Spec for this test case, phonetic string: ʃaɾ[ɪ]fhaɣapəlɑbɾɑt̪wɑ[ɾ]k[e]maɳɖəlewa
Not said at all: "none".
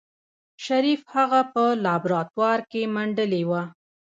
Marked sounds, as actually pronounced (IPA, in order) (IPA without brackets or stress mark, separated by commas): i, ɾ, e